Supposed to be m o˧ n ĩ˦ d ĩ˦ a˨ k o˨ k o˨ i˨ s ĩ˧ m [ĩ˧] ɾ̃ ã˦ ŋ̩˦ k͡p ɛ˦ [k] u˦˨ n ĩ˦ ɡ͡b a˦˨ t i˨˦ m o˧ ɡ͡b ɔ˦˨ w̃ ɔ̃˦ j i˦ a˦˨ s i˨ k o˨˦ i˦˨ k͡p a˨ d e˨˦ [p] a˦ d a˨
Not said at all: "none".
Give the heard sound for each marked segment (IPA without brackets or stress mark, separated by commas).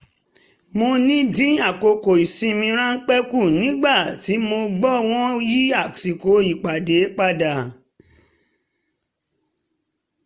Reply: ĩ˧, k, k͡p